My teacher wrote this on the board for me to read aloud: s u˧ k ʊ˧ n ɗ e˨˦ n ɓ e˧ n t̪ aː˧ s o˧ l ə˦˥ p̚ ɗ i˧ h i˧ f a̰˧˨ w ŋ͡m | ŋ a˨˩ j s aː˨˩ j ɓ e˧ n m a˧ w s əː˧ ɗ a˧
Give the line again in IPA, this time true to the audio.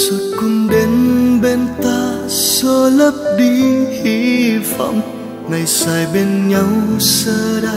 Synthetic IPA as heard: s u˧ k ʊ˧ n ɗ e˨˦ n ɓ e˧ n t̪ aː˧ s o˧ l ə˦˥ p̚ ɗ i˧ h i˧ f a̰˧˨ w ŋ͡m | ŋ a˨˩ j s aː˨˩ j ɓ e˧ n ɲ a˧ w s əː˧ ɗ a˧